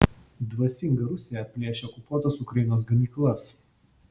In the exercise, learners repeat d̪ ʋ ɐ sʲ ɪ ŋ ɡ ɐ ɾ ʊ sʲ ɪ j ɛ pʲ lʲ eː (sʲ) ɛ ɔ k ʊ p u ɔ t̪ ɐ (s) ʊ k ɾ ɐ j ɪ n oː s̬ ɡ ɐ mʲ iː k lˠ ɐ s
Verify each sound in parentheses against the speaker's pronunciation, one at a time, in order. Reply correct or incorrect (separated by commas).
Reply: incorrect, correct